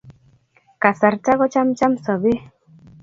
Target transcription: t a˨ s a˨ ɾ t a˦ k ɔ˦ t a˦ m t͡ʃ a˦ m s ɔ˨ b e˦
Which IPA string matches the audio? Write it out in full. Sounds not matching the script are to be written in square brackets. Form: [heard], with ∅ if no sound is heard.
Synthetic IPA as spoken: [k] a˨ s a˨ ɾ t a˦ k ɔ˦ [t͡ʃ] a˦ m t͡ʃ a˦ m s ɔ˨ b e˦